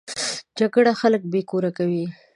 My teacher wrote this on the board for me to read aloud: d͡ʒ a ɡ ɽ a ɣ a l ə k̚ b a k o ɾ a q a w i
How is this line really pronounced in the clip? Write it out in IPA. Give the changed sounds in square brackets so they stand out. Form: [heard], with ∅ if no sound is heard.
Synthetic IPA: d͡ʒ a ɡ ɽ a [x] a l ə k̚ b [e] k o ɾ a [k] a w i